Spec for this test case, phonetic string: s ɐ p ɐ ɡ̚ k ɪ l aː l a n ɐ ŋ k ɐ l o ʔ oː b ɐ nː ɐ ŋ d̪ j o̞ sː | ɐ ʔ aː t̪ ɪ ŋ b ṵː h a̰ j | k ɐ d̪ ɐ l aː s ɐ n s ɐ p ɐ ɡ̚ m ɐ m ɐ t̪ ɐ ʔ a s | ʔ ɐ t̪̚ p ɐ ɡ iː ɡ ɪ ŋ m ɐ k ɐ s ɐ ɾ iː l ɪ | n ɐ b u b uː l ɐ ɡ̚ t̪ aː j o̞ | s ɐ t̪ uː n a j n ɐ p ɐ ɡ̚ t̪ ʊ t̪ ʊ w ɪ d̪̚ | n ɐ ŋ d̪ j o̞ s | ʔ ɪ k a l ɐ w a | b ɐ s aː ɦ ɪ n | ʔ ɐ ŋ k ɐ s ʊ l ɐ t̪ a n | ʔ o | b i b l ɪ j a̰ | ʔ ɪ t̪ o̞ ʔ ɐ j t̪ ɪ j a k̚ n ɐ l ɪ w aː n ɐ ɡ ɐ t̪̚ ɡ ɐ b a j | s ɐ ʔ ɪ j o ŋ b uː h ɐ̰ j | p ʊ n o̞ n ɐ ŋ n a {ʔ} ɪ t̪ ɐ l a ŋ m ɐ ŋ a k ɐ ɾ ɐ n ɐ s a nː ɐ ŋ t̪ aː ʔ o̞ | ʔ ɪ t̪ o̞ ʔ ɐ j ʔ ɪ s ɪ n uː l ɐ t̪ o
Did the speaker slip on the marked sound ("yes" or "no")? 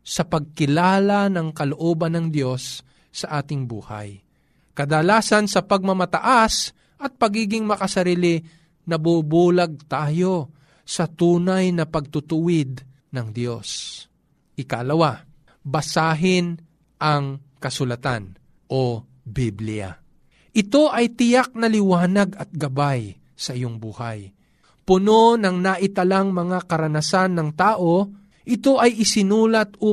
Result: no